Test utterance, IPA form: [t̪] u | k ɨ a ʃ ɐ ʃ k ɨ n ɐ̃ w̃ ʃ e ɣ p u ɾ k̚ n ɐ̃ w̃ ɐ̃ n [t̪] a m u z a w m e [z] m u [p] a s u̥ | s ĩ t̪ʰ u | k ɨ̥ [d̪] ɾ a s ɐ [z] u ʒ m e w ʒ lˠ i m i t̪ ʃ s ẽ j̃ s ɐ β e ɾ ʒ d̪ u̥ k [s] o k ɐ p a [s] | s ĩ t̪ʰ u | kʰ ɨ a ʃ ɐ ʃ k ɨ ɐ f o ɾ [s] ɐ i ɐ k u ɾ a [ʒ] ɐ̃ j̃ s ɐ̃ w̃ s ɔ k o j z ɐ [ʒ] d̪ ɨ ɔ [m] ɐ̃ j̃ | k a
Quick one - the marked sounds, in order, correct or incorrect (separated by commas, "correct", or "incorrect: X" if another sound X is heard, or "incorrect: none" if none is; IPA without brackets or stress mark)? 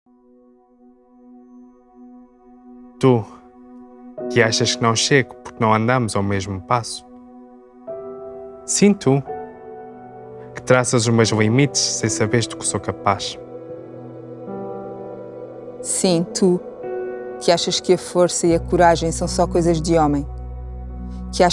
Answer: correct, incorrect: d̪, incorrect: ʒ, correct, incorrect: t̪, correct, correct, incorrect: ʃ, correct, correct, correct, correct